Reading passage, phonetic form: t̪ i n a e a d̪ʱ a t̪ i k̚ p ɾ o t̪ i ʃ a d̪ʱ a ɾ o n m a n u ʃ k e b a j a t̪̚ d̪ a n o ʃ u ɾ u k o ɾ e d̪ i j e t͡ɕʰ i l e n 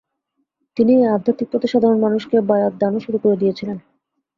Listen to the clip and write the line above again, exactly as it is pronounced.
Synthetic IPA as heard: t̪ i n i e a d̪ʱ a t̪ i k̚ p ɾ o t̪ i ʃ a d̪ʱ a ɾ o n m a n u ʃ k e b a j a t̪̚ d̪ a n o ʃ u ɾ u k o ɾ e d̪ i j e t͡ɕʰ i l e n